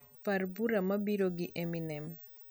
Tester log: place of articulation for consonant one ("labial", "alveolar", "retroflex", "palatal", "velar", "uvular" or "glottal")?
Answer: labial